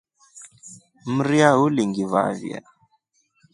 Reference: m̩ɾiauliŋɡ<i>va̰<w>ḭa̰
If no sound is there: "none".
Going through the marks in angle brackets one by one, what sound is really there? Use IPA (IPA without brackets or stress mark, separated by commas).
i, v